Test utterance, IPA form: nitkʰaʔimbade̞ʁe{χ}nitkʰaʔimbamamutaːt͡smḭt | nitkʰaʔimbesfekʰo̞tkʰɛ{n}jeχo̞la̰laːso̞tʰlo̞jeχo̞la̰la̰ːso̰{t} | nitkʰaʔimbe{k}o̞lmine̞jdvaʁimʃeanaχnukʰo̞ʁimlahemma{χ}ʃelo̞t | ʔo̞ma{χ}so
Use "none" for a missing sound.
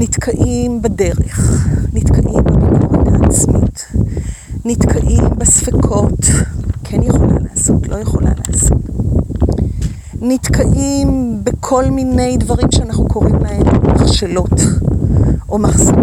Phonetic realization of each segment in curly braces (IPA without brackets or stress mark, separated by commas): χ, n, t, kʰ, χ, χ